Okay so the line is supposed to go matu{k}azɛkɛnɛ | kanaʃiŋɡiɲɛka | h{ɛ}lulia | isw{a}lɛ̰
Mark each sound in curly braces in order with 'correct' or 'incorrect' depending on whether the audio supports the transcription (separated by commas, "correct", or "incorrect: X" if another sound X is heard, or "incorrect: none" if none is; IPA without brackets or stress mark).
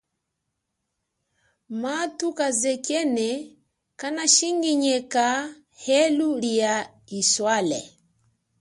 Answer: correct, correct, correct